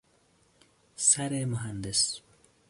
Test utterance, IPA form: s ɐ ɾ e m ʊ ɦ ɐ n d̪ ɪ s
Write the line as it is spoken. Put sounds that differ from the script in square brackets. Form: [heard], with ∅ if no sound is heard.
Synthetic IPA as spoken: s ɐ ɾ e m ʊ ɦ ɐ n d̪ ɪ s